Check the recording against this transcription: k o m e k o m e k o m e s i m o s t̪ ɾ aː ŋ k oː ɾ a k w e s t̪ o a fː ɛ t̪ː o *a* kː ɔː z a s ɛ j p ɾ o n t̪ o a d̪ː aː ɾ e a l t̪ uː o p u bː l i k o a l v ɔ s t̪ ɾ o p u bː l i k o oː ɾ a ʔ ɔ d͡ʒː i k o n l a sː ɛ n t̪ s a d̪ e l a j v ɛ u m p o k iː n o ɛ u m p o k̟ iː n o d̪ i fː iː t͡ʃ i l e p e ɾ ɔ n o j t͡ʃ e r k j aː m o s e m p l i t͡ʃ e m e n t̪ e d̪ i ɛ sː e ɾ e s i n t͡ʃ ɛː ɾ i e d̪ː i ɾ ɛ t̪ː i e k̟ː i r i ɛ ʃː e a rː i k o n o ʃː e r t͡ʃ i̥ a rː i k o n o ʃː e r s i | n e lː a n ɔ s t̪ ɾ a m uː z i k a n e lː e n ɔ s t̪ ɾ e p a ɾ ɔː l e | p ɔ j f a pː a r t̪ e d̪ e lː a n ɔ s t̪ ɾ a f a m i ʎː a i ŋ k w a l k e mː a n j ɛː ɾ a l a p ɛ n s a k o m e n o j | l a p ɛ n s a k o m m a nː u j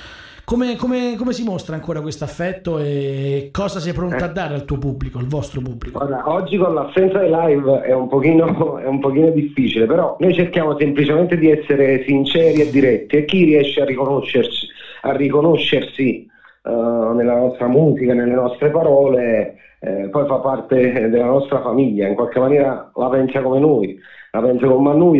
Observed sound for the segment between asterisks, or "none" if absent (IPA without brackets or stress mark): e